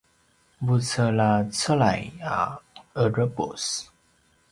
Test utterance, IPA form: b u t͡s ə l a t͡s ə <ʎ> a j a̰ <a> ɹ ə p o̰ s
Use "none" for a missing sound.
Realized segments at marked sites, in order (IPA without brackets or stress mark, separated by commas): l, ə